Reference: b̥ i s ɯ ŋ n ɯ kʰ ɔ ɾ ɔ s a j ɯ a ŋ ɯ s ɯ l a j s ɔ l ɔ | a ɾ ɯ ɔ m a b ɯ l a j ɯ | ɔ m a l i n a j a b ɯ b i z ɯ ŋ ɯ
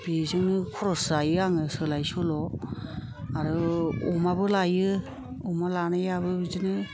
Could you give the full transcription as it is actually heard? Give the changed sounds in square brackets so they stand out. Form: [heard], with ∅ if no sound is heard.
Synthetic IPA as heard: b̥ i [z] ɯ ŋ n ɯ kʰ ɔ ɾ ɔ s a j ɯ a ŋ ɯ s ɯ l a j s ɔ l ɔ | a ɾ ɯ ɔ m a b ɯ l a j ɯ | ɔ m a l [a] n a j a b ɯ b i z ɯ [n] ɯ